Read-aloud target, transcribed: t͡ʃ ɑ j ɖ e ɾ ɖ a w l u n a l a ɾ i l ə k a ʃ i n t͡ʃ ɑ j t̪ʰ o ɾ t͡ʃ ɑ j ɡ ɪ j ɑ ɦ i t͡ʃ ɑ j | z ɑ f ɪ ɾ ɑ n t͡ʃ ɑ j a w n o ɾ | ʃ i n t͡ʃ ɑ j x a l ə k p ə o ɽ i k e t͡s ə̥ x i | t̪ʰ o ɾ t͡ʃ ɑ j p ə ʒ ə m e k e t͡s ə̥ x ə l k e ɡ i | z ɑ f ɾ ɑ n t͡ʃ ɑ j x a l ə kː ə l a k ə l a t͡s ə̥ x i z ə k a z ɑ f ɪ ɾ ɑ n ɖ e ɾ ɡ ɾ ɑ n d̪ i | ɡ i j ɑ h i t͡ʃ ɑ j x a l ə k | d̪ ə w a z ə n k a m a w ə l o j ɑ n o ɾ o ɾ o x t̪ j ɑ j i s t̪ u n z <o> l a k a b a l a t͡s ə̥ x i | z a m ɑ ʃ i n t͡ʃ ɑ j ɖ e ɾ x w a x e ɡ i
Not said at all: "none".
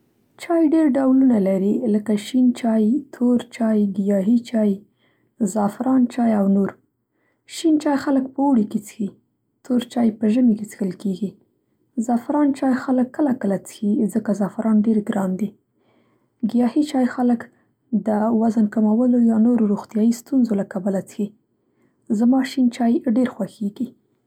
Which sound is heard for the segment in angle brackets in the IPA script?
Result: o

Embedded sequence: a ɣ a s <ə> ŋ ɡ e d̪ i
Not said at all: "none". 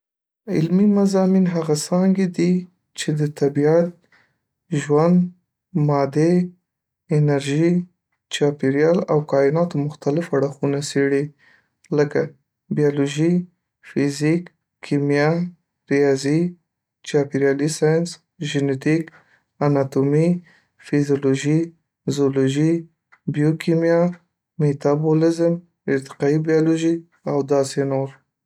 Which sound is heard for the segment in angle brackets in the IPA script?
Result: ɑ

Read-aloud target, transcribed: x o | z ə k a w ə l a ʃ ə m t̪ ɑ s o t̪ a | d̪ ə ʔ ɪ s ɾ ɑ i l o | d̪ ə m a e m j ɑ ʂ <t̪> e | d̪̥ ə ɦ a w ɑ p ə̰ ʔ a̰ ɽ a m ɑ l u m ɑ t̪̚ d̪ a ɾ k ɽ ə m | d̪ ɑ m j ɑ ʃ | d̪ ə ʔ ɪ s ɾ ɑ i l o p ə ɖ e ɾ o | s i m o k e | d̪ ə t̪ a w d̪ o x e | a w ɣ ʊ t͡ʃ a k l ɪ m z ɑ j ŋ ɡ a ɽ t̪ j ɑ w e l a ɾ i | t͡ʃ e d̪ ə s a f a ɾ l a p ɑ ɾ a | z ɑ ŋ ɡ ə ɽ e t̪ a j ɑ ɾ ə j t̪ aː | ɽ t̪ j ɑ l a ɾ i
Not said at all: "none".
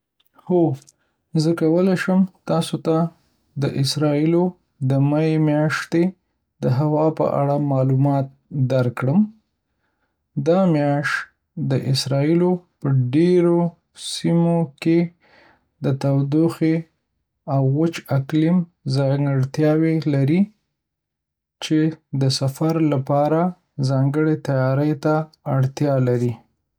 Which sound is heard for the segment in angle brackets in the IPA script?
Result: t̪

